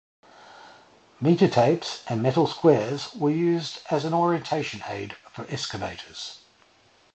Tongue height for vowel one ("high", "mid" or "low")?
high